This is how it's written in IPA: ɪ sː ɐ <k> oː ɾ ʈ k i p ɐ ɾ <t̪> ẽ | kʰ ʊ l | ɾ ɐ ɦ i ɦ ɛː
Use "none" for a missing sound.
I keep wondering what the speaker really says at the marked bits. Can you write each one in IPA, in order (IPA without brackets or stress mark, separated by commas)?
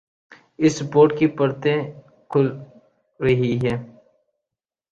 p, t̪